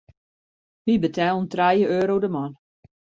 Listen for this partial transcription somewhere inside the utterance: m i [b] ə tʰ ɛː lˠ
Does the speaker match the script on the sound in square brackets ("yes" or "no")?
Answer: yes